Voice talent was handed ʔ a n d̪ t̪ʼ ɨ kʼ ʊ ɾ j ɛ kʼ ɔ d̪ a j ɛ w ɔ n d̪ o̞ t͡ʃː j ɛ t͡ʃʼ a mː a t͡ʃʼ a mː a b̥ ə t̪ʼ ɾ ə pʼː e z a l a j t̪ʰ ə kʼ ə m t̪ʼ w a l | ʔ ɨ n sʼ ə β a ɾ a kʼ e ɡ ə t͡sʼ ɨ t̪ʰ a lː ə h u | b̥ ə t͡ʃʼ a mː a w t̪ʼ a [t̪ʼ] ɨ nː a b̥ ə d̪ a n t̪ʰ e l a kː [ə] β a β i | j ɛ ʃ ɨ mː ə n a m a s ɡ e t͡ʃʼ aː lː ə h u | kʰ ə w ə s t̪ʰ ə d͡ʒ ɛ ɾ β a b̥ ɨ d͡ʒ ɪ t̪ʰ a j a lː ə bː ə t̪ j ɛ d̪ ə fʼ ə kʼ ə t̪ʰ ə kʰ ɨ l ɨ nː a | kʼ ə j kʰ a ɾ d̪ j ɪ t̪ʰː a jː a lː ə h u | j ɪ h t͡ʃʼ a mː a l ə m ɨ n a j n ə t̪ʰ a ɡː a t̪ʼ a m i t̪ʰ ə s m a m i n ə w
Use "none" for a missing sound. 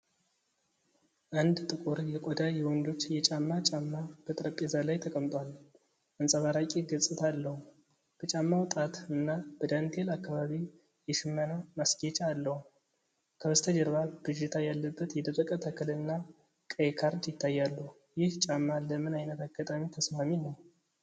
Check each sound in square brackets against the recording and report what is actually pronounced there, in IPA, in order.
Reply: t̪, a

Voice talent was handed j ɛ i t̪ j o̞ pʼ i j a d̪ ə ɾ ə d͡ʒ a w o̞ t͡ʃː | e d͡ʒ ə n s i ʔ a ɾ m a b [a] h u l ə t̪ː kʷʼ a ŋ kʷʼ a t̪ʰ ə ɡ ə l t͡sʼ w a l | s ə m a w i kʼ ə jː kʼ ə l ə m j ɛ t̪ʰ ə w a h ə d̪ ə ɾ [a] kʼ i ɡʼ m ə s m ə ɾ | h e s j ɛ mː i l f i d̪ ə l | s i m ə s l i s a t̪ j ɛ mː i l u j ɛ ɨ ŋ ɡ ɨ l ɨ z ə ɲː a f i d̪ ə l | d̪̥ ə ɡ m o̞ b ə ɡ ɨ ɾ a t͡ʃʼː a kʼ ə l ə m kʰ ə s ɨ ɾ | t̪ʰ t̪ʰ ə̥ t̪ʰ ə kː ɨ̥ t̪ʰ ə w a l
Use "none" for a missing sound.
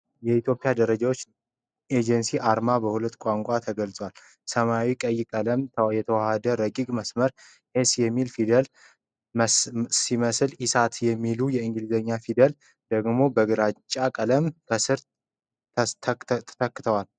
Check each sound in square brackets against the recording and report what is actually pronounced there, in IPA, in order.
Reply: ə, ə

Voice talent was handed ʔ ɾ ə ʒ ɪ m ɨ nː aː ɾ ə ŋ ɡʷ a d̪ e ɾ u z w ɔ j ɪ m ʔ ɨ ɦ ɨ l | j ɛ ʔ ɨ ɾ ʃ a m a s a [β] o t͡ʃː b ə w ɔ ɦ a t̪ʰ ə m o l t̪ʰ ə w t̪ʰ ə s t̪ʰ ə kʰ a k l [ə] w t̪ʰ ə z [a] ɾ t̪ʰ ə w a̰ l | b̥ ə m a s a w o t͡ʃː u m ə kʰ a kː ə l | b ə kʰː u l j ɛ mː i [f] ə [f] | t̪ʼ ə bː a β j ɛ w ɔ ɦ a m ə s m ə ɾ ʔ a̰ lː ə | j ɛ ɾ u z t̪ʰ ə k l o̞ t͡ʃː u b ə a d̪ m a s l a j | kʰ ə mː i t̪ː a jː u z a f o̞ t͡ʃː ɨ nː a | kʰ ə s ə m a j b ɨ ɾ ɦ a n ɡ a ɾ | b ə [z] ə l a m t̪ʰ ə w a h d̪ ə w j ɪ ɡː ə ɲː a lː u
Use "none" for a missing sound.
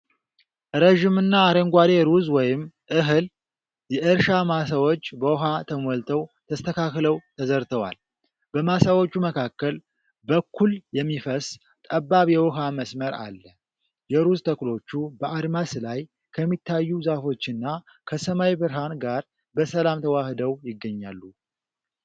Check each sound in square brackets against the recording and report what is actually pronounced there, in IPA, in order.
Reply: w, ə, ə, f, s, s

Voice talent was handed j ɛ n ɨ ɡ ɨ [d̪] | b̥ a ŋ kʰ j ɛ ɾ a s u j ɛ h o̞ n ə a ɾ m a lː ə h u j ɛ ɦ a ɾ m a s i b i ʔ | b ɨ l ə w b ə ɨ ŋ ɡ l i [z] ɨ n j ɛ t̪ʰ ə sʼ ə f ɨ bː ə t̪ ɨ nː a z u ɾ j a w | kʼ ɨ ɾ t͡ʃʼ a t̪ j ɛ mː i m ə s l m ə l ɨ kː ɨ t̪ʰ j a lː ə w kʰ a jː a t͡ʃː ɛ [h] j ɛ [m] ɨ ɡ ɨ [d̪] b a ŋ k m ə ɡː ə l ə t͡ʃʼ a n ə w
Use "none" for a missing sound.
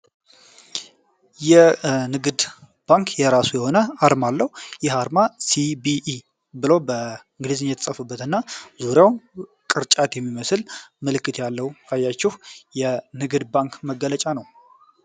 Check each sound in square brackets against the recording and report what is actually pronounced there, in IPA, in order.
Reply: d̪, z, h, n, d̪

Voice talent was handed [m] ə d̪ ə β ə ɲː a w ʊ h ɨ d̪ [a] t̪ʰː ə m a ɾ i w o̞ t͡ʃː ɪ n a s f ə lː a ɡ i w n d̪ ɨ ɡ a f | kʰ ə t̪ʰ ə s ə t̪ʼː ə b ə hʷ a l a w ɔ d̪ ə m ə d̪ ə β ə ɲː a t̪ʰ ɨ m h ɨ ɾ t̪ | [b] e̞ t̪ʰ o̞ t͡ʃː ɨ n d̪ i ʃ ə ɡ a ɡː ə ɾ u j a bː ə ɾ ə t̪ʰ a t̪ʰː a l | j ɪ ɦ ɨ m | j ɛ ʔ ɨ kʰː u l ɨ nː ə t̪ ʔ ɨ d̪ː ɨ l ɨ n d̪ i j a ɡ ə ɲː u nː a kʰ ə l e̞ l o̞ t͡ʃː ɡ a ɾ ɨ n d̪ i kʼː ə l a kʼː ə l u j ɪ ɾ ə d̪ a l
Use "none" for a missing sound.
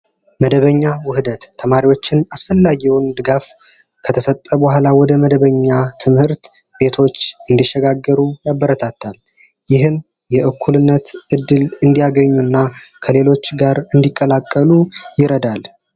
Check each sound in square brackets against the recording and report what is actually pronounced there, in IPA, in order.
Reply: m, ə, b

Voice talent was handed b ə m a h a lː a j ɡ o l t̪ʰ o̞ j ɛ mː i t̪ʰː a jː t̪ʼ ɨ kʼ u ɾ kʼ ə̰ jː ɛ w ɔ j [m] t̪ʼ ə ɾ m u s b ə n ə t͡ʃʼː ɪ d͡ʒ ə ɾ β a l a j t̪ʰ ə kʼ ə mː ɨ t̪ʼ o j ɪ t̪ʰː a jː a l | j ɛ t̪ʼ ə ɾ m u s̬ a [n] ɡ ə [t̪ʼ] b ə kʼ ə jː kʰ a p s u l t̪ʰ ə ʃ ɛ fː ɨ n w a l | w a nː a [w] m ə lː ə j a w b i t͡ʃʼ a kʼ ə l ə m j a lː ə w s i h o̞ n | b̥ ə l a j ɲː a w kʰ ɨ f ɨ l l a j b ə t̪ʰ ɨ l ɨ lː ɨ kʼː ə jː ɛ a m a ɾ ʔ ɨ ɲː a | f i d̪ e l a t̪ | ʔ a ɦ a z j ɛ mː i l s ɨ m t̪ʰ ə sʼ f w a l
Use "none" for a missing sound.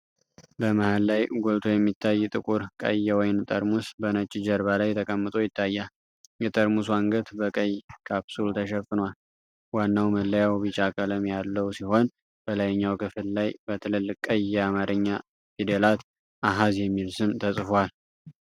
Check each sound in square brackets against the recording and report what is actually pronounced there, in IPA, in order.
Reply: n, ŋ, t̪, w

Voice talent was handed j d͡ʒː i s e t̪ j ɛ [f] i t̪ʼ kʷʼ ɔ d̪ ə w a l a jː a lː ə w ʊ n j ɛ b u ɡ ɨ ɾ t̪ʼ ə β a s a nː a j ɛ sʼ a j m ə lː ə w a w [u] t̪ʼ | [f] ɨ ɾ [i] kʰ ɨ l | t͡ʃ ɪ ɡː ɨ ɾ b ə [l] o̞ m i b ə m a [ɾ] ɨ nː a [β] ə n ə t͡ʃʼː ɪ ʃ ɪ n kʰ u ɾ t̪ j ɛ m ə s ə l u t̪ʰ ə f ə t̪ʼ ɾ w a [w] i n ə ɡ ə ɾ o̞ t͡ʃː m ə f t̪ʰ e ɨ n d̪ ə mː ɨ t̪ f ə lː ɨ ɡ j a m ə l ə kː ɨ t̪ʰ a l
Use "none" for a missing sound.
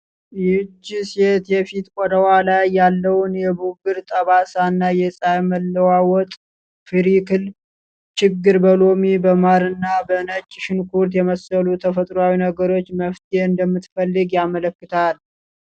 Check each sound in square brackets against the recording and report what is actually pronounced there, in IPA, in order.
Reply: f, ɔ, f, i, l, ɾ, b, w

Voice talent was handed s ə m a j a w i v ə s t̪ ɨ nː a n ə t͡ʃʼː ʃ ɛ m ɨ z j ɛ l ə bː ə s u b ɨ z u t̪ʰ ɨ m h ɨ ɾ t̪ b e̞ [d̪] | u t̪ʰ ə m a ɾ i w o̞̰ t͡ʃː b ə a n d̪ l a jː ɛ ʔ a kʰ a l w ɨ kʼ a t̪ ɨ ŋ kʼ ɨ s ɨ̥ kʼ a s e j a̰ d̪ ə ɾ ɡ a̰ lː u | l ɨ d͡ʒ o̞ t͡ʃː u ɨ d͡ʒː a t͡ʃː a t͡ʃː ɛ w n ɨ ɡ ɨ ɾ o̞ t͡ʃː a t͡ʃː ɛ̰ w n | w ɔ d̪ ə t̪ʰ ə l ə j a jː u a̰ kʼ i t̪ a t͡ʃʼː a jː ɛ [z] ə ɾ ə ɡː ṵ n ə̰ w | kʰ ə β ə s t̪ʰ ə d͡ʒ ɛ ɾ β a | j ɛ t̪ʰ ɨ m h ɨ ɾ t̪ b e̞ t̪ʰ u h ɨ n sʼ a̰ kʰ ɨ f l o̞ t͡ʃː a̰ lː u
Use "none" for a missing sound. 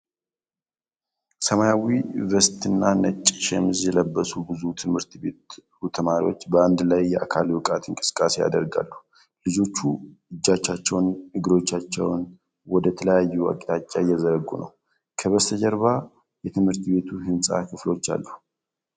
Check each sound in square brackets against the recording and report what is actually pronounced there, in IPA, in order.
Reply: t̪, z

